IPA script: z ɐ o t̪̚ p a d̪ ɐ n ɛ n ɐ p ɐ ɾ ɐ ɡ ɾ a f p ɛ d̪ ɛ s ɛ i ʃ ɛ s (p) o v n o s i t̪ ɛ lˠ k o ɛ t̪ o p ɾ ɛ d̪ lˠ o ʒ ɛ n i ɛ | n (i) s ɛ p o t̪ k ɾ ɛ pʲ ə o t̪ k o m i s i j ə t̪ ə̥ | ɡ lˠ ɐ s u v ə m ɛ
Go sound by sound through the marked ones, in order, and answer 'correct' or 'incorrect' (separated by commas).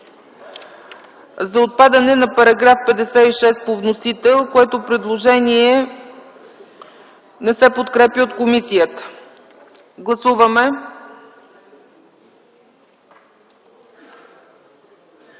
correct, incorrect